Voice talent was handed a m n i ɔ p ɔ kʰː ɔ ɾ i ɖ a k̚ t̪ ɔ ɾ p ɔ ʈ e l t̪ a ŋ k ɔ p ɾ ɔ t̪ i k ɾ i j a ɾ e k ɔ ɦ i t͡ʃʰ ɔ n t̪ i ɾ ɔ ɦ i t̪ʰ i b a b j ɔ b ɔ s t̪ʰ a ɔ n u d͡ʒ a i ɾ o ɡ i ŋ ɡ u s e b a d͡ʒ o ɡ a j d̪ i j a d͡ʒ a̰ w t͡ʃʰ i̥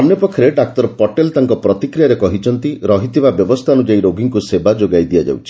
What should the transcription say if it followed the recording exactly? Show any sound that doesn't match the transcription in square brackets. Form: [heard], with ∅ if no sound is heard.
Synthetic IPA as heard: a m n [j] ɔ p ɔ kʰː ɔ ɾ [e] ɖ a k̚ t̪ ɔ ɾ p ɔ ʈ e l t̪ a ŋ k ɔ p ɾ ɔ t̪ i k ɾ i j a ɾ e k ɔ ɦ i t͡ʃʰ ɔ n t̪ i ɾ ɔ ɦ i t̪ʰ i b a b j ɔ b ɔ s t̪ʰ a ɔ n u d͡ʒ a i ɾ o ɡ i ŋ [k] u s e b a d͡ʒ o ɡ a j d̪ i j a d͡ʒ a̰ w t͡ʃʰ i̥